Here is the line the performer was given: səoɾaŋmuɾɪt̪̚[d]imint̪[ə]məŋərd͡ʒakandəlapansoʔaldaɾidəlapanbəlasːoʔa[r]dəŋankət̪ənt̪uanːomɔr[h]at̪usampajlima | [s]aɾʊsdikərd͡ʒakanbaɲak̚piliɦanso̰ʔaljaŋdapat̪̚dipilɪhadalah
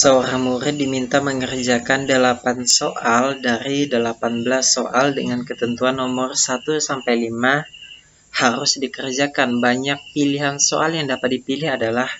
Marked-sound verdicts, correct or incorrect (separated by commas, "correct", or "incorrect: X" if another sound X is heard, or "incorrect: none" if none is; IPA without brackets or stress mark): correct, incorrect: a, incorrect: l, incorrect: s, incorrect: h